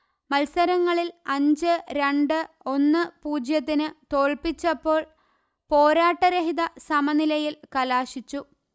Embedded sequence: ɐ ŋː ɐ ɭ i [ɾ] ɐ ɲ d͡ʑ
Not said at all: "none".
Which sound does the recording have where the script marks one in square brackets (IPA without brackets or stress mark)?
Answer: l